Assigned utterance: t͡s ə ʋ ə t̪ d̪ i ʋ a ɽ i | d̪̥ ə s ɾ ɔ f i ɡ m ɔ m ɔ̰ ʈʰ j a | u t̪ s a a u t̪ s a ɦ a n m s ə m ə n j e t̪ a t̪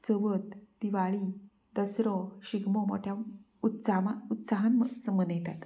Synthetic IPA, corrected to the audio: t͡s ə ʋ ə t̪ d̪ i ʋ a ɭ i | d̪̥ ə s ɾ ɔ ɕ i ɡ m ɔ m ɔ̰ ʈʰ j a | u t̪ s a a u t̪ s a ɦ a n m s ə m ə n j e t̪ a t̪